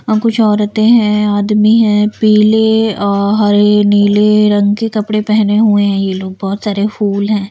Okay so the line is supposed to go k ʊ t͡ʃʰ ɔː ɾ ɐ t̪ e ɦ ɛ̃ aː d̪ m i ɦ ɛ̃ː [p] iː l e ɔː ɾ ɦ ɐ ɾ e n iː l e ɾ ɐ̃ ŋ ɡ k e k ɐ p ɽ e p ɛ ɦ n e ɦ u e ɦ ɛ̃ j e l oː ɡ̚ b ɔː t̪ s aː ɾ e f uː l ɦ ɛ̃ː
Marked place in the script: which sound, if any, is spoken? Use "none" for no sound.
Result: p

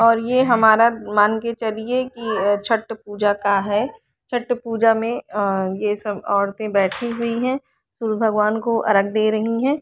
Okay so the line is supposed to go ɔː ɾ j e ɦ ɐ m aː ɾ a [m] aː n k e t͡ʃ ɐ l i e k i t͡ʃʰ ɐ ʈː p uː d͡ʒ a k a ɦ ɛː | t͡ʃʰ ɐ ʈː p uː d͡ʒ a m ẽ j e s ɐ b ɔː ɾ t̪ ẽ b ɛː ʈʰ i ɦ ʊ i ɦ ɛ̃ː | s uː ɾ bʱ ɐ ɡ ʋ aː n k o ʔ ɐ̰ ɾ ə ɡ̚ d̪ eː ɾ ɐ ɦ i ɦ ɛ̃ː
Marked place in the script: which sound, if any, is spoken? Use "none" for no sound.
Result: m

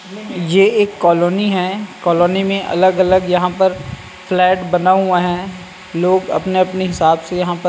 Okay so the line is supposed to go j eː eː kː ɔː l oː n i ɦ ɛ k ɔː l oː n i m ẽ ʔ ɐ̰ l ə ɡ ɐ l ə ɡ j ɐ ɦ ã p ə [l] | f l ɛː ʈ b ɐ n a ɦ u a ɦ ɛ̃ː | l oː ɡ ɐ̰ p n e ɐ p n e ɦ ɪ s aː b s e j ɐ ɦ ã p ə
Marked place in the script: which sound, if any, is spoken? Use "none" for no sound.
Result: ɾ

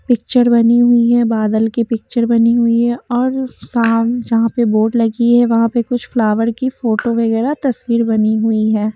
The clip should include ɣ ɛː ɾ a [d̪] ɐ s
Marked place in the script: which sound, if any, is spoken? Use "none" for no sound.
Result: t̪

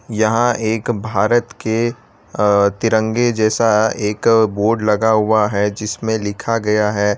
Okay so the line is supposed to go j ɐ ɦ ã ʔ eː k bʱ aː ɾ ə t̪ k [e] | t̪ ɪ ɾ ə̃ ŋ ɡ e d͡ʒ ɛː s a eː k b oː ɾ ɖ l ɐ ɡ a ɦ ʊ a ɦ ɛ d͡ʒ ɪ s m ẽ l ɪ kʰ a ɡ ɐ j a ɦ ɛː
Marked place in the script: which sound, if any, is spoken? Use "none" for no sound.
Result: e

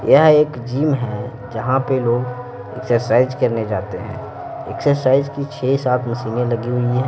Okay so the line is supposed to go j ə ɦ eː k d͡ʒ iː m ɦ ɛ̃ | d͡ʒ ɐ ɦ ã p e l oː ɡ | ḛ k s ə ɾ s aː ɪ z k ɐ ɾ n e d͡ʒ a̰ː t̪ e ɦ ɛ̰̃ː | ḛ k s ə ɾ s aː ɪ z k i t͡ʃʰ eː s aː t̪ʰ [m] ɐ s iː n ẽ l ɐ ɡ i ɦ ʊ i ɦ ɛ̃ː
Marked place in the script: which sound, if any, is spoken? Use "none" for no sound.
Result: m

